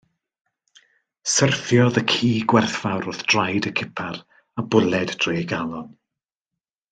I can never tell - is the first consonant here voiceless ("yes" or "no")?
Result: yes